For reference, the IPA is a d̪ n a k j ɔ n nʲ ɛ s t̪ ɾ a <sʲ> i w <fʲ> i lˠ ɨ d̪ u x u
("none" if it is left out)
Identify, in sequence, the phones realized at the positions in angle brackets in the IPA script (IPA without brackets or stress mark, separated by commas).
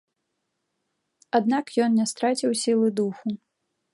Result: t͡sʲ, sʲ